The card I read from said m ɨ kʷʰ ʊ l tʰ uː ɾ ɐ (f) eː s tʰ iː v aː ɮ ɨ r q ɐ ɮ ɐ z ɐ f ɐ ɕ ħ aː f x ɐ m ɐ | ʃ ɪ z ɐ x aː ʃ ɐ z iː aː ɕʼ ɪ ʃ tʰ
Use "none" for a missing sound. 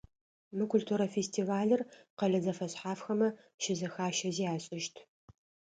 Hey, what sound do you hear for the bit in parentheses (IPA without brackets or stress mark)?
f